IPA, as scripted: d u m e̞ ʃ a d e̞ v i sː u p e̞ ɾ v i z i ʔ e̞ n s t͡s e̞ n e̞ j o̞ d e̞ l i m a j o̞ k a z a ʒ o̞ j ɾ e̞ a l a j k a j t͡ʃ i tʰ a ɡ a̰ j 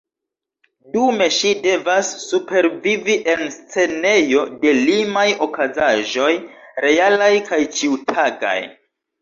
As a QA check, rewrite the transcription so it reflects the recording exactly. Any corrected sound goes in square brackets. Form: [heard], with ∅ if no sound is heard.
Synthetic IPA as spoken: d u m e̞ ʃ [i] d e̞ v [a] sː u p e̞ ɾ v i [v] i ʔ e̞ n s t͡s e̞ n e̞ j o̞ d e̞ l i m a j o̞ k a z a ʒ o̞ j ɾ e̞ a l a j k a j t͡ʃ i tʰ a ɡ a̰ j

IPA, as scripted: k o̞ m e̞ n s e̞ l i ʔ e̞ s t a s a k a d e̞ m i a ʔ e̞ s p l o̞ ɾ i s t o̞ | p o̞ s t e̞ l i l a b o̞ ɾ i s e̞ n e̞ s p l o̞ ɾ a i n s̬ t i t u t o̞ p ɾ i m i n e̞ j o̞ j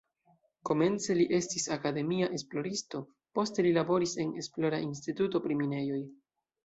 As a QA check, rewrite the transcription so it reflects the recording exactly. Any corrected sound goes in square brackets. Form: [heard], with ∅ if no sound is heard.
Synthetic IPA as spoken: k o̞ m e̞ n [t͡s] e̞ l i ʔ e̞ s t [i] s a k a d e̞ m i a ʔ e̞ s p l o̞ ɾ i s t o̞ | p o̞ s t e̞ l i l a b o̞ ɾ i s e̞ n e̞ s p l o̞ ɾ a i n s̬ t i t u t o̞ p ɾ i m i n e̞ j o̞ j

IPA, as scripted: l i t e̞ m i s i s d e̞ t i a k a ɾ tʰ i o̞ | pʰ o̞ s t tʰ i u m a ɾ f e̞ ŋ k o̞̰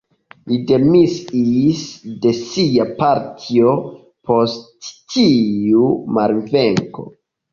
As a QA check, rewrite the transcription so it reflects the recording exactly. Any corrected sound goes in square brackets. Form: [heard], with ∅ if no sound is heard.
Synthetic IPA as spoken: l i [d] e̞ m i s i s d e̞ [s] i a [p] a ɾ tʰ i o̞ | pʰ o̞ s t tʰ i u m a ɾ [v] e̞ ŋ k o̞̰

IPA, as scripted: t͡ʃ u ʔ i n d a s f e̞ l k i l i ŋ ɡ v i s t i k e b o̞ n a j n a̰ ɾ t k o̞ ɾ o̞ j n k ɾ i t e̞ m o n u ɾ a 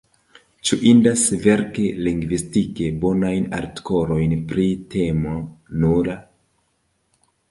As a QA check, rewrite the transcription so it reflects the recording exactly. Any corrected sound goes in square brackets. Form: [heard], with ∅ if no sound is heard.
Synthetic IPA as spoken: t͡ʃ u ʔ i n d a s [v] e̞ [ɾ] k [e] l i ŋ ɡ v i s t i k e b o̞ n a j n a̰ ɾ t k o̞ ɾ o̞ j n [p] ɾ i t e̞ m o n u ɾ a

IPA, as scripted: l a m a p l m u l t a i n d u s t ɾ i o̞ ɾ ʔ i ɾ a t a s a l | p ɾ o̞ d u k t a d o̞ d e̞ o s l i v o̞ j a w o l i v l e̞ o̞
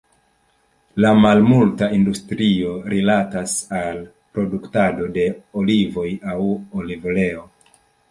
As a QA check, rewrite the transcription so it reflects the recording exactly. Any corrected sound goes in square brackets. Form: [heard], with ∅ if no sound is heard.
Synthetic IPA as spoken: l a m a [∅] l m u l t a i n d u s t ɾ i o̞ ɾ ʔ i [l] a t a s a l | p ɾ o̞ d u k t a d o̞ d e̞ o [∅] l i v o̞ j a w o l i v l e̞ o̞

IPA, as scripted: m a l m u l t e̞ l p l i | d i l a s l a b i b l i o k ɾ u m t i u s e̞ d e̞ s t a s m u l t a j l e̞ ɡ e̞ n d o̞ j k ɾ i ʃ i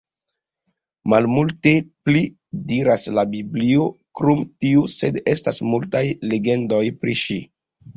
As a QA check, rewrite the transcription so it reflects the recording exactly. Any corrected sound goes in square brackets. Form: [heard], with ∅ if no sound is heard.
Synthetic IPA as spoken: m a l m u l t e̞ [∅] p l i | d i [ɾ] a s l a b i b l i o k ɾ u m t i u s e̞ d e̞ s t a s m u l t a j l e̞ ɡ e̞ n d o̞ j [p] ɾ i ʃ i

